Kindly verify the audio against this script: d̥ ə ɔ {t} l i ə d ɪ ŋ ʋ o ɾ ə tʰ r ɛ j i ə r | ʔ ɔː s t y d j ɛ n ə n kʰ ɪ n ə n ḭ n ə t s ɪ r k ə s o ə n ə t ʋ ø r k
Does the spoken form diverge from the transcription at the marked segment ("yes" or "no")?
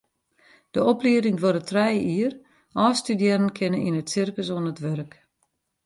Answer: yes